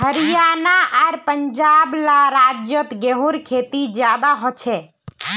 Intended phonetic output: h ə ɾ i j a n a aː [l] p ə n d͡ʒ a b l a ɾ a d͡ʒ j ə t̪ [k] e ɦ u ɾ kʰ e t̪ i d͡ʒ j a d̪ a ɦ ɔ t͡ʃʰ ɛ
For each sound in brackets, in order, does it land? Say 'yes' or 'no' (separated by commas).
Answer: no, no